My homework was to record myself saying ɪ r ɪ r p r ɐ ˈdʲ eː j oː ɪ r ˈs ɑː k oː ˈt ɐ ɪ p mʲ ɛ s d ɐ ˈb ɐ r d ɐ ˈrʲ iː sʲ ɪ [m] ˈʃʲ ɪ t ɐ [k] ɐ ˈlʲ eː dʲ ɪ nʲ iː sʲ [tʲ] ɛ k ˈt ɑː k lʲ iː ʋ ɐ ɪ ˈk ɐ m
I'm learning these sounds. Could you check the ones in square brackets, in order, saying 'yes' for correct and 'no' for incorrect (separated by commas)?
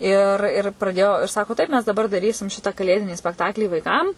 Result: yes, yes, no